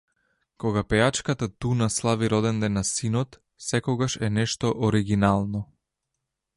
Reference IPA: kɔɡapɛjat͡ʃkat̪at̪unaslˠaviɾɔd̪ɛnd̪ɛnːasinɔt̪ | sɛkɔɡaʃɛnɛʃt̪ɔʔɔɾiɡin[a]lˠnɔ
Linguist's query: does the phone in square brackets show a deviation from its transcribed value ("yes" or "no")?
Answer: no